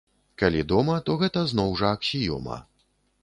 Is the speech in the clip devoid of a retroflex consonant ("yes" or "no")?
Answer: no